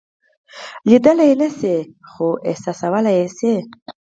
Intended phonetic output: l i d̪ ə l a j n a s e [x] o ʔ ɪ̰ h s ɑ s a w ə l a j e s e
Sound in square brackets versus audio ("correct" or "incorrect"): correct